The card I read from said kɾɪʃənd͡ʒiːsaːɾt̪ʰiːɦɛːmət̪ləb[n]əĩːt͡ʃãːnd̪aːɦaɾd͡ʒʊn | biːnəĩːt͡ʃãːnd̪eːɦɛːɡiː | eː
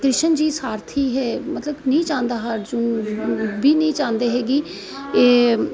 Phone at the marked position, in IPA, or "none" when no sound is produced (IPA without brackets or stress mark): n